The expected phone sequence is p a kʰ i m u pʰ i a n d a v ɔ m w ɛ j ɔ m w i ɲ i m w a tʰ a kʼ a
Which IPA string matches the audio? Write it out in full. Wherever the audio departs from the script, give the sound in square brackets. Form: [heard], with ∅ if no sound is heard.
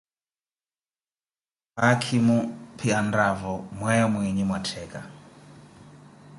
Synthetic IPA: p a kʰ i m u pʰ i a n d a v ɔ m w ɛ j ɔ m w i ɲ i m w a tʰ [ɛ] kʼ a